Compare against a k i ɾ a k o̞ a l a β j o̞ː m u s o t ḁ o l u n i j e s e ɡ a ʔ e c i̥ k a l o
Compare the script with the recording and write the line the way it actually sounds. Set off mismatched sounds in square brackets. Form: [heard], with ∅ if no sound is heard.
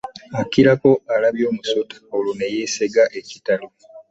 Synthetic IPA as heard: a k i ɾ a k o̞ a l a β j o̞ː m u s o t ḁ o l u n [e] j e s e ɡ a ʔ e c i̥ [t] a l o